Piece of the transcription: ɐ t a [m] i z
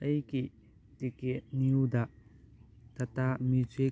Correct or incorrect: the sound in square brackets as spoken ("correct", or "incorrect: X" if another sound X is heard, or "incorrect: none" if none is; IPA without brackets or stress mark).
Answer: correct